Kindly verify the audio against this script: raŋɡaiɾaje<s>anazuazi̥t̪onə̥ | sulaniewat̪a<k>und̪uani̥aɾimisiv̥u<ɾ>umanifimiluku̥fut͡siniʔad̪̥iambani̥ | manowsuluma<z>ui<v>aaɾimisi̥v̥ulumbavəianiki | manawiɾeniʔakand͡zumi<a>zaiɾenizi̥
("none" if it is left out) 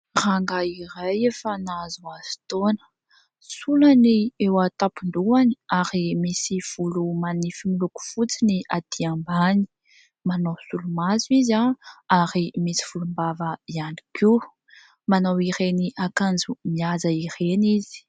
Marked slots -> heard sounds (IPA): f, p, l, z, z, a

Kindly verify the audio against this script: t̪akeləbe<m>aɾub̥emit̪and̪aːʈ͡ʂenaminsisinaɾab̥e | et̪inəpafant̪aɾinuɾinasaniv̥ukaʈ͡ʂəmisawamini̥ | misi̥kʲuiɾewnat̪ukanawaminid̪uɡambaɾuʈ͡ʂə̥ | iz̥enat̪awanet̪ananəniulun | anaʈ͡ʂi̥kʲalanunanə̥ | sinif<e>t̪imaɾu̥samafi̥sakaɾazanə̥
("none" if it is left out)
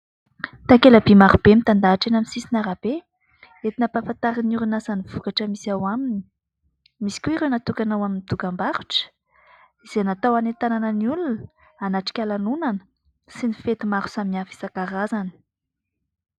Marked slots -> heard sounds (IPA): m, e

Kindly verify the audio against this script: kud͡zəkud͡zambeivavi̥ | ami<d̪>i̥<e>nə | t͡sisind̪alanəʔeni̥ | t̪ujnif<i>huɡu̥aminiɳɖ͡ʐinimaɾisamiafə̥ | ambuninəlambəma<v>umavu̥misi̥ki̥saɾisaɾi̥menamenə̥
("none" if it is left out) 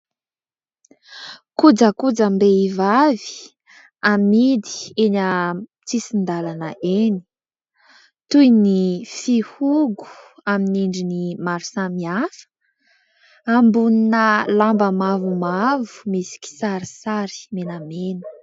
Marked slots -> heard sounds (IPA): d̪, e, i, v

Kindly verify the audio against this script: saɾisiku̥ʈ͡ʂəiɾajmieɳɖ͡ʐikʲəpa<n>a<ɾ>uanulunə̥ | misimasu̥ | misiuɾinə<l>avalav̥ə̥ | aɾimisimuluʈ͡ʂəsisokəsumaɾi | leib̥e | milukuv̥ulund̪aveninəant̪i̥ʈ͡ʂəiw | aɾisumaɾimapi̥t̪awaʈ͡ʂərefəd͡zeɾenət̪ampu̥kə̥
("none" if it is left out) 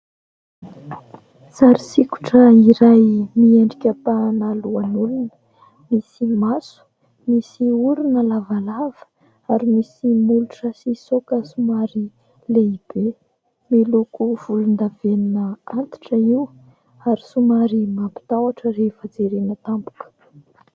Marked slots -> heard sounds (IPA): n, l, l

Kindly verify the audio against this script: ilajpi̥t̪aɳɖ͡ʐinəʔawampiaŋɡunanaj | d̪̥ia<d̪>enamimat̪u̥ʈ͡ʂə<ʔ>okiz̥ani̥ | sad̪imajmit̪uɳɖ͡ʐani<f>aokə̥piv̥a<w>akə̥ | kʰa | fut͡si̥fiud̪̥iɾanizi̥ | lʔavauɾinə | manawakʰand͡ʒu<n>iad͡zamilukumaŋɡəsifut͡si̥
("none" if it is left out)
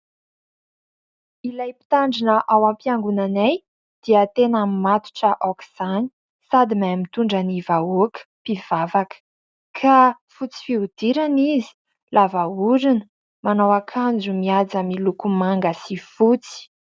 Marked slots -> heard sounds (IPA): t̪, ʔ, v, v, m

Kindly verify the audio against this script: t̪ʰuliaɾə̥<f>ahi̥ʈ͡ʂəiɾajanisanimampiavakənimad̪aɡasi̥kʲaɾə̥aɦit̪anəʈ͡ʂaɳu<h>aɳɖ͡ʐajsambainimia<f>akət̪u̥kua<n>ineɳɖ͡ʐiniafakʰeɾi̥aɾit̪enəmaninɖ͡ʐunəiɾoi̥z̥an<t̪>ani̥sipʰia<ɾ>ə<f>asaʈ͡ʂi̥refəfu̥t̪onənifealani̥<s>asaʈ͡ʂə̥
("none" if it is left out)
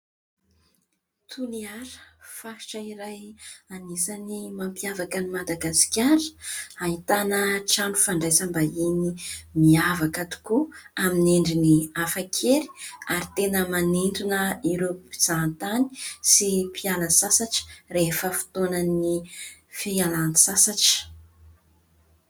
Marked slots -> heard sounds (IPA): f, f, v, m, t̪, l, s, s

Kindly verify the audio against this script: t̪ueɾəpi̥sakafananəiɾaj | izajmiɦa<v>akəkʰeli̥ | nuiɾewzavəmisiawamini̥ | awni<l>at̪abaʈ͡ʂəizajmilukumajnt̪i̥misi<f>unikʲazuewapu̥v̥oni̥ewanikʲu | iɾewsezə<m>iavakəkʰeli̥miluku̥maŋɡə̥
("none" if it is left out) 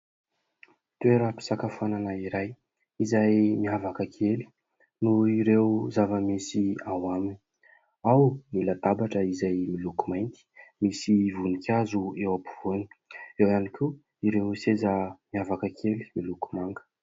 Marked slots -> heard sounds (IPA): v, l, v, m

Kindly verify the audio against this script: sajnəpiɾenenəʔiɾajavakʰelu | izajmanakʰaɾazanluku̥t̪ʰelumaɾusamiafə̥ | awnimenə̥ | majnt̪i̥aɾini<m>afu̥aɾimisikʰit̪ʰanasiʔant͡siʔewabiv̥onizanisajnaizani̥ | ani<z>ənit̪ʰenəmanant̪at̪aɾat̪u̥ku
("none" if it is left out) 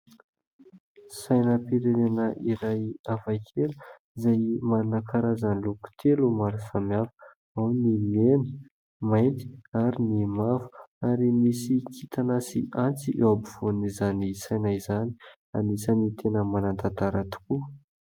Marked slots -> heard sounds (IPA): m, s

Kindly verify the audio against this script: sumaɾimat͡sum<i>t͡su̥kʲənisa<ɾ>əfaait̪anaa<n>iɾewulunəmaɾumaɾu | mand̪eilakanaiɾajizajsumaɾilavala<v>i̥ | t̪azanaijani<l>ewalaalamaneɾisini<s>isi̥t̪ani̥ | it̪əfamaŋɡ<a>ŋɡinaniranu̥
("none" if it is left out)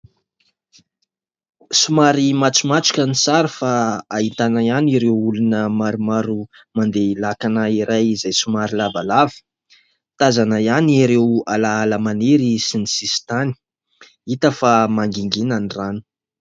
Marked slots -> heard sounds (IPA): a, ɾ, n, v, ɾ, s, i

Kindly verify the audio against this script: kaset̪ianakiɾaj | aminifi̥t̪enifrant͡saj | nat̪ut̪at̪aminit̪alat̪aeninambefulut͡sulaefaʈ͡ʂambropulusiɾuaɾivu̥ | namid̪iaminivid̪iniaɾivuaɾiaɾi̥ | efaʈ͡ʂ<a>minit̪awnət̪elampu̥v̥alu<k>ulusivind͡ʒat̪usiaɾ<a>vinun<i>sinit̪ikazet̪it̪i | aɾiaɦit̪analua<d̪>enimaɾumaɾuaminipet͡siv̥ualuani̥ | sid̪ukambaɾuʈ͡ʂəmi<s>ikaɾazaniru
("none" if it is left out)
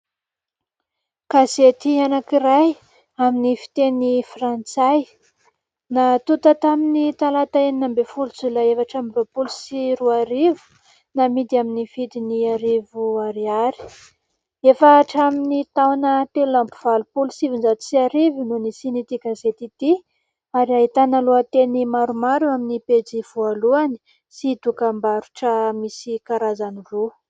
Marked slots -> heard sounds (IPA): a, p, i, i, t̪, s

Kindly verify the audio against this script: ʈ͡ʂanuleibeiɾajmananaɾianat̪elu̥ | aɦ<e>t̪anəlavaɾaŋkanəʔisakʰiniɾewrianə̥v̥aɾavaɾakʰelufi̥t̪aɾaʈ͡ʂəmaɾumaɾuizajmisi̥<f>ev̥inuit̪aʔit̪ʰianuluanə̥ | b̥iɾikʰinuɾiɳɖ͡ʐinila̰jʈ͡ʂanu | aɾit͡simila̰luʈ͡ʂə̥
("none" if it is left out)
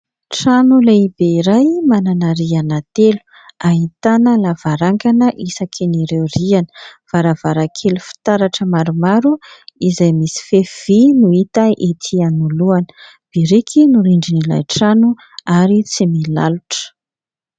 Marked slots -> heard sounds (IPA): i, f

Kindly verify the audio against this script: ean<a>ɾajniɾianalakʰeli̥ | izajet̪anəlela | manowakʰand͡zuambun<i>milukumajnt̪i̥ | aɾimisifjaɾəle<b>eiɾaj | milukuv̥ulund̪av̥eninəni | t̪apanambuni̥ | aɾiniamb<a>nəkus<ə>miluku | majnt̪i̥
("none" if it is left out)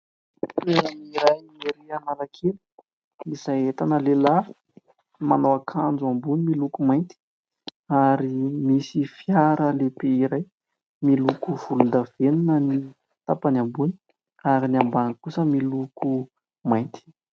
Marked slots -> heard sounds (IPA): i, i, p, a, ə

